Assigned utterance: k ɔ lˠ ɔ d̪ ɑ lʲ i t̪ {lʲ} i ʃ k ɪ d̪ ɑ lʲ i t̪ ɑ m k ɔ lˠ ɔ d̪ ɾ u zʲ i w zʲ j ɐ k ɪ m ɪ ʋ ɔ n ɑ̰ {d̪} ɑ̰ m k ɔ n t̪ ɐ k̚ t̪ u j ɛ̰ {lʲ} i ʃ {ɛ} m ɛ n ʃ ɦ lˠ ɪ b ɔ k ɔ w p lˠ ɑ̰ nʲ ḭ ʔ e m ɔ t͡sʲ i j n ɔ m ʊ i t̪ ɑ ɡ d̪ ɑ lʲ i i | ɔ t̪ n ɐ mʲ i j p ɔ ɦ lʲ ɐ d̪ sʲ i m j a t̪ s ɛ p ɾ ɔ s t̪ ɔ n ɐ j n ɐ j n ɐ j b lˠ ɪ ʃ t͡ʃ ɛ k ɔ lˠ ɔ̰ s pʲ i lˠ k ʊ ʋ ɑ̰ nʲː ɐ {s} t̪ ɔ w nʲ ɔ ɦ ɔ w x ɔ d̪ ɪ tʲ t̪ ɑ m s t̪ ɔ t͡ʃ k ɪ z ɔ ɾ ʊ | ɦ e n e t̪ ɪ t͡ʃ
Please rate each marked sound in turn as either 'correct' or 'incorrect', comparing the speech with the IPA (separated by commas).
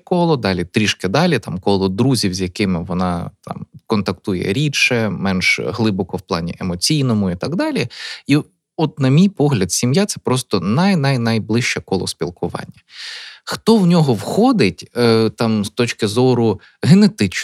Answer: incorrect, incorrect, incorrect, correct, incorrect